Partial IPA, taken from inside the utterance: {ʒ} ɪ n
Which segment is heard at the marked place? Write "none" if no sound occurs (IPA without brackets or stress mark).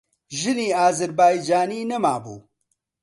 ʒ